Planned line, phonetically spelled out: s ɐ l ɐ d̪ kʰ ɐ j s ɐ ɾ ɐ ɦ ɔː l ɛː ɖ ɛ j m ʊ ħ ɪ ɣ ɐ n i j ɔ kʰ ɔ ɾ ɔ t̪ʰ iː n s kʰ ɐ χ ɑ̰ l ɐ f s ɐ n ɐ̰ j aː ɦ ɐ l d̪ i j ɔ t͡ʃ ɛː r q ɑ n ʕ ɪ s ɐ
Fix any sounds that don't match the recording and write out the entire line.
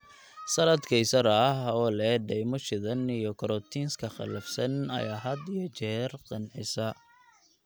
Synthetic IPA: s ɐ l ɐ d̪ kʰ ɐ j s ɐ ɾ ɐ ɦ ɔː l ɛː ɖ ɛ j m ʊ ʃ ɪ ð ɐ n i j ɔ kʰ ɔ ɾ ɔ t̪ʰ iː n s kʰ ɐ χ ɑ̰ l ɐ f s ɐ n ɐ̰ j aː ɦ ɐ d̪ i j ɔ t͡ʃ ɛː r q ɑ n ʕ ɪ s ɐ